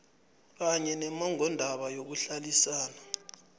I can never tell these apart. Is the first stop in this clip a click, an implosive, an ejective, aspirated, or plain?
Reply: plain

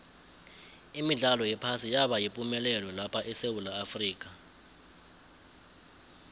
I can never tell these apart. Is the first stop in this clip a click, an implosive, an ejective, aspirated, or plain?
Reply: aspirated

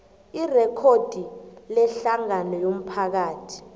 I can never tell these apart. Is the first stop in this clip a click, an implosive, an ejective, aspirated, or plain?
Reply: aspirated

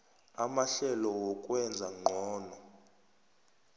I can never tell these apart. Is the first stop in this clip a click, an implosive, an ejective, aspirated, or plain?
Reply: ejective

